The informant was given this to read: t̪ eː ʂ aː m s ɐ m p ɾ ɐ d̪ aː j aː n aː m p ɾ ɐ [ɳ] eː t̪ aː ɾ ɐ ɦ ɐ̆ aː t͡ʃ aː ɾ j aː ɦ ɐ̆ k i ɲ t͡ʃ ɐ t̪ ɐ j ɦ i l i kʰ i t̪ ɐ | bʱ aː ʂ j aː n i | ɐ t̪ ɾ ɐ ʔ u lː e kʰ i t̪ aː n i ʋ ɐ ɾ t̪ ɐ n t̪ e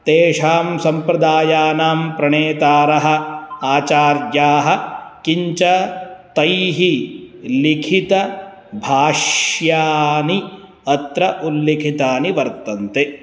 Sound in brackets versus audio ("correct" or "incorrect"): correct